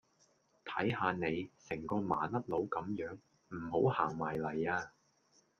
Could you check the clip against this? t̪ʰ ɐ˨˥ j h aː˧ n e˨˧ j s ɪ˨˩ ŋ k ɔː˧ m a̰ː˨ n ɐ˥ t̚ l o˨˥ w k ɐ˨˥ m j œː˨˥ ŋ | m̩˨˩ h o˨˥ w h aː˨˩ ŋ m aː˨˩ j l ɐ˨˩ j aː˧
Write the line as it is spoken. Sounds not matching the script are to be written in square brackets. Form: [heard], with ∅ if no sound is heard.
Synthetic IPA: t̪ʰ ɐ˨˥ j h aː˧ n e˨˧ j s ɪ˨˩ ŋ k ɔː˧ m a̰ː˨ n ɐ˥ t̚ l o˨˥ w k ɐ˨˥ m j œː˨˥ ŋ | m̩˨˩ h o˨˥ w h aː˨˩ ŋ m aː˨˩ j l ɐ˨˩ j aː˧